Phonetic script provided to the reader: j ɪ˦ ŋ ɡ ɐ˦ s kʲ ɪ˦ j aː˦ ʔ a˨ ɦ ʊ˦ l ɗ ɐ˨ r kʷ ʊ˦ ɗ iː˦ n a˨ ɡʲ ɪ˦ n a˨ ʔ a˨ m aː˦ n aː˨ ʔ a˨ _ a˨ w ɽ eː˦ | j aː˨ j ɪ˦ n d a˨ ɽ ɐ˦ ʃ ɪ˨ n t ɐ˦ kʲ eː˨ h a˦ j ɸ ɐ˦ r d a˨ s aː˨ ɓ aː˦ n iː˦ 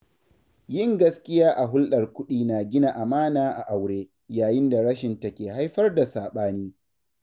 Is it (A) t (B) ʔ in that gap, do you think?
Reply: B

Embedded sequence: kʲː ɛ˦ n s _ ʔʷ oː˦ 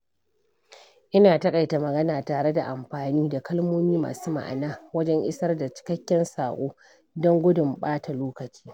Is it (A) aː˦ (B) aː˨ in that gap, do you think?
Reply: B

